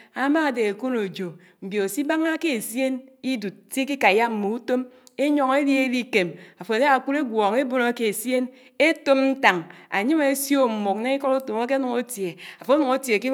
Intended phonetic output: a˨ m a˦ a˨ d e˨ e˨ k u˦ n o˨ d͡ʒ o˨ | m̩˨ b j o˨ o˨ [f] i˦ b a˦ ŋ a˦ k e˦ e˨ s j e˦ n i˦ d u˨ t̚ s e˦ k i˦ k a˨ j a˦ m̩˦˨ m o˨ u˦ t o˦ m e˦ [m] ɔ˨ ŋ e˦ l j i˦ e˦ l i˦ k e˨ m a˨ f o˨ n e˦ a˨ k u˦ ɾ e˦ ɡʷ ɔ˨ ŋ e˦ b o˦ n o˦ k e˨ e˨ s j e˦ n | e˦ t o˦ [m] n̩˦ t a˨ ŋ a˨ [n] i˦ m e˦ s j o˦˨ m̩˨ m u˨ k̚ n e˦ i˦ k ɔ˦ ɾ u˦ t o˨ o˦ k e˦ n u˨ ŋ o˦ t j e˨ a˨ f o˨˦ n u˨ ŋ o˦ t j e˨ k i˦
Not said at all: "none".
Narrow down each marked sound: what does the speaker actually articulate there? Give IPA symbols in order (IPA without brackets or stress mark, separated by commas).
s, ɲ, m, ɲ